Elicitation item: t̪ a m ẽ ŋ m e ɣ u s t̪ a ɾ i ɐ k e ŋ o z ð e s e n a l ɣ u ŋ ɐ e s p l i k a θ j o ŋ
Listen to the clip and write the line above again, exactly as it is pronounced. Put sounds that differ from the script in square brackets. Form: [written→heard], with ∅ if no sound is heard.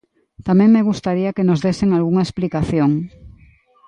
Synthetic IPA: t̪ a m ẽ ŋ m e ɣ u s t̪ a ɾ i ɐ k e [ŋ→n] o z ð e s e [n→ŋ] a l ɣ u ŋ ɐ e s p l i k a θ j o ŋ